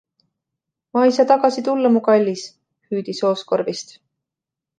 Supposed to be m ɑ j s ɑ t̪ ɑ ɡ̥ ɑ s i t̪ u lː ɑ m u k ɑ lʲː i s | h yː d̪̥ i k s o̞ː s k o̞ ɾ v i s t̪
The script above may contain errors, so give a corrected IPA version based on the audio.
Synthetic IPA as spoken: m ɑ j s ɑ t̪ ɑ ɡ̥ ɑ s i t̪ u lː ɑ m u k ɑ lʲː i s | h yː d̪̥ i s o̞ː s k o̞ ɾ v i s t̪